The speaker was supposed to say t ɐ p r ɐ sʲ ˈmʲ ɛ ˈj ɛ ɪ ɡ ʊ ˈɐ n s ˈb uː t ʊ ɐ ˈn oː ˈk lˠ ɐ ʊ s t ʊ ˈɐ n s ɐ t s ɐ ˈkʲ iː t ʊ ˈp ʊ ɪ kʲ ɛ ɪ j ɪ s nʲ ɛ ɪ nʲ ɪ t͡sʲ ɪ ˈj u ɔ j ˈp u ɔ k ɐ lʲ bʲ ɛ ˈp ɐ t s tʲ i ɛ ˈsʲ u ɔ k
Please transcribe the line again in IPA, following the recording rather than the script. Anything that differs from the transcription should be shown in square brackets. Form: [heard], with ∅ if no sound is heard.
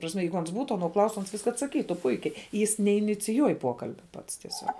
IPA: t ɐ p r ɐ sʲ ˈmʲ ɛ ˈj ɛ ɪ ɡ ʊ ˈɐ n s ˈb uː t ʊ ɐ ˈn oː ˈk lˠ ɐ ʊ s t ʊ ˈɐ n s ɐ t s ɐ ˈkʲ iː t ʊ ˈp ʊ ɪ kʲ ɛ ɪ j ɪ s nʲ ɛ ɪ nʲ ɪ t͡sʲ ɪ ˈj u ɔ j ˈp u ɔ k ɐ lʲ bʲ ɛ ˈp ɐ t s tʲ i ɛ ˈsʲ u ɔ k